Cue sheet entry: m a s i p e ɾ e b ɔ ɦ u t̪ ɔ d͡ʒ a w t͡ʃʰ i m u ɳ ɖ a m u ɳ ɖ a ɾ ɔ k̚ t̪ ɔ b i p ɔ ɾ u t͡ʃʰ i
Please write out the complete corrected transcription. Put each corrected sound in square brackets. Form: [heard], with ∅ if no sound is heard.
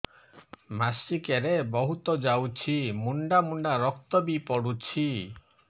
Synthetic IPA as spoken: m a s i [k] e ɾ e b ɔ ɦ u t̪ ɔ d͡ʒ a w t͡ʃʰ i m u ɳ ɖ a m u ɳ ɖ a ɾ ɔ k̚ t̪ ɔ b i p ɔ [ɽ] u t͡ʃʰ i